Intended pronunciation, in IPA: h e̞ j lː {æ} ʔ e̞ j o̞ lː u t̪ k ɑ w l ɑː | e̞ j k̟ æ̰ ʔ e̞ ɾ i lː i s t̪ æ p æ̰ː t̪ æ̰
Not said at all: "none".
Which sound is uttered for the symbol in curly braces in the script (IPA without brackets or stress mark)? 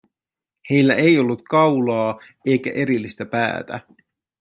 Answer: æ